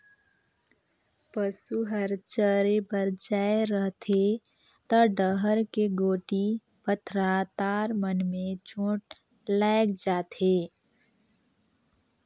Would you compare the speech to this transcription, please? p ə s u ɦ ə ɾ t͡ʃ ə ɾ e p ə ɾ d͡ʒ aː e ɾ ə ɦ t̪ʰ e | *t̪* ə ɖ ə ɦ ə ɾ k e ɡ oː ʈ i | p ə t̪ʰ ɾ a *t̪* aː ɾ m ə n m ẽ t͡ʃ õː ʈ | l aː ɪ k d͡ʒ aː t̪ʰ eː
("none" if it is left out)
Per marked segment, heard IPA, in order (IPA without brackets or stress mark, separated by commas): t̪, t̪